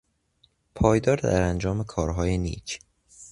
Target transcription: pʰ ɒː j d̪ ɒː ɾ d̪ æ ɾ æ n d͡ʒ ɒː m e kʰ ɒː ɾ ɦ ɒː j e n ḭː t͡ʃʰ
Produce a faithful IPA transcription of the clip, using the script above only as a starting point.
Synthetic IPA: pʰ ɒː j d̪ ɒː ɾ d̪ æ ɾ æ n d͡ʒ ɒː m e kʰ ɒː ɾ ɦ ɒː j e n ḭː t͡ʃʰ